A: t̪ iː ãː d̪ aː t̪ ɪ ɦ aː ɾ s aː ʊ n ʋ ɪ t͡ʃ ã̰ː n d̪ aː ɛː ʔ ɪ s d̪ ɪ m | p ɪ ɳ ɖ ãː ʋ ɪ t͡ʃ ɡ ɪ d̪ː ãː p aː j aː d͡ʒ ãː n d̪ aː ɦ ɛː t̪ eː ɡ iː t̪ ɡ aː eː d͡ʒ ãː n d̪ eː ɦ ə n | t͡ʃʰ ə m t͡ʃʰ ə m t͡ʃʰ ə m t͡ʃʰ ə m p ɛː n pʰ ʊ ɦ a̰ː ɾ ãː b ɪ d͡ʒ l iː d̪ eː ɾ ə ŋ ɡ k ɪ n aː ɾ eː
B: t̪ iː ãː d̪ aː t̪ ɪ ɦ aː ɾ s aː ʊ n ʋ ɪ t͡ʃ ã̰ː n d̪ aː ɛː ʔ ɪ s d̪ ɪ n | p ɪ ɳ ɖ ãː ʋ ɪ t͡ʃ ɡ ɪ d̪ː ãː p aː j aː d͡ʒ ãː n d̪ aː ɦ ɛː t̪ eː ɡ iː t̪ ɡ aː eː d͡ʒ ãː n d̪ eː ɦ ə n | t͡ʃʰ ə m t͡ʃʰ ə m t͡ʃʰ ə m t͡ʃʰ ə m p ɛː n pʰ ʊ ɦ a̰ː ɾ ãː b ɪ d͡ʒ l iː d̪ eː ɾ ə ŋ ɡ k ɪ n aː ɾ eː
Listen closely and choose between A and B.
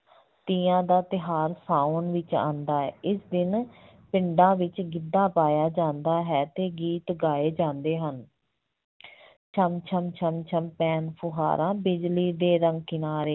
B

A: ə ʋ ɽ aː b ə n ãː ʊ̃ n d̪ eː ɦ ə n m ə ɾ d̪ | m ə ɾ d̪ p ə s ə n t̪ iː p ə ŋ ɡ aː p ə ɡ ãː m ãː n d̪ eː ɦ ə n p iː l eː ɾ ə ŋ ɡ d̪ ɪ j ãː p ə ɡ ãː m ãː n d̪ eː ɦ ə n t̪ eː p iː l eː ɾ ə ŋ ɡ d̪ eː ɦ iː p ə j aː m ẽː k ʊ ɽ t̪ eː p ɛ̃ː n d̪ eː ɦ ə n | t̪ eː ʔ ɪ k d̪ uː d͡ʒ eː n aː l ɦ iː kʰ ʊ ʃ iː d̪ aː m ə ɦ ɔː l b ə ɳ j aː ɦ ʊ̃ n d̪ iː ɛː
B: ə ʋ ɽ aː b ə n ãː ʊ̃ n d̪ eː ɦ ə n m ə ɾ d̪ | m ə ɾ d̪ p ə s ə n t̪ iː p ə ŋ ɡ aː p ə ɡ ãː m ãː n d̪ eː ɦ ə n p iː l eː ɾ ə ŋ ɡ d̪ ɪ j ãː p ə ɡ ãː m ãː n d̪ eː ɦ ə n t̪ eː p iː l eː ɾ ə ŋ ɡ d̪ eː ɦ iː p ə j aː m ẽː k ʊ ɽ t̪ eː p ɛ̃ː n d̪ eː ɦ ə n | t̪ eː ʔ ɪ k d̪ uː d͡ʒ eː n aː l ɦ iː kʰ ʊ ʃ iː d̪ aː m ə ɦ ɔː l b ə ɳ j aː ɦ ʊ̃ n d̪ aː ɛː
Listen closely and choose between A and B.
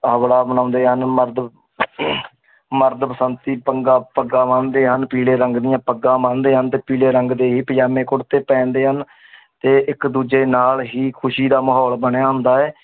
B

